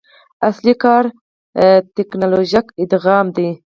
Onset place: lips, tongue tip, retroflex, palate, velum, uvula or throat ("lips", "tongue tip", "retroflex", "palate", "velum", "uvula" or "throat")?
tongue tip